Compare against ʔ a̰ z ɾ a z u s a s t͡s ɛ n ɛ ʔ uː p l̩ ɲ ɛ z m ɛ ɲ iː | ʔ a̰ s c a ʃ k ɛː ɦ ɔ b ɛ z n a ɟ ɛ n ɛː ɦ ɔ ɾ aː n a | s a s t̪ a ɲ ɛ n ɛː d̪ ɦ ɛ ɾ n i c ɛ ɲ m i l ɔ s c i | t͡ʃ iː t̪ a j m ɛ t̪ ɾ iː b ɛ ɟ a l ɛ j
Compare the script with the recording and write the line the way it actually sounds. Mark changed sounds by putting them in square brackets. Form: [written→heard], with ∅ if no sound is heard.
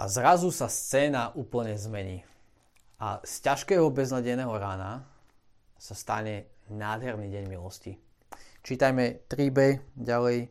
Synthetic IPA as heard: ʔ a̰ z ɾ a z u s a s t͡s [ɛ→ɛː] n [ɛ→a] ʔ uː p l̩ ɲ ɛ z m ɛ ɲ iː | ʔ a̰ s c a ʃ k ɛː ɦ ɔ b ɛ z n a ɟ ɛ n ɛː ɦ ɔ ɾ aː n a | s a s t̪ a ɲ ɛ n [ɛː→aː] d̪ ɦ ɛ ɾ n i [c→ɟ] ɛ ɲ m i l ɔ s c i | t͡ʃ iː t̪ a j m ɛ t̪ ɾ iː b ɛ ɟ a l ɛ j